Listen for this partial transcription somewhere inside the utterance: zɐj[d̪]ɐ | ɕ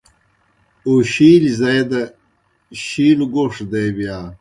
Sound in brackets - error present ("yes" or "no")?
no